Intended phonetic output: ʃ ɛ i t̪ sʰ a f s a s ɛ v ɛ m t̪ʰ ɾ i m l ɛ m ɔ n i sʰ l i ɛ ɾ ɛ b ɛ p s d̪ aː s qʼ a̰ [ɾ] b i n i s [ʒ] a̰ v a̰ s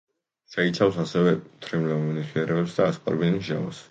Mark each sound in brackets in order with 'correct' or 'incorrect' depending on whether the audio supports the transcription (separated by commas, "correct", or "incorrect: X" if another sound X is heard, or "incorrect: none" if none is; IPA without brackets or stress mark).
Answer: correct, correct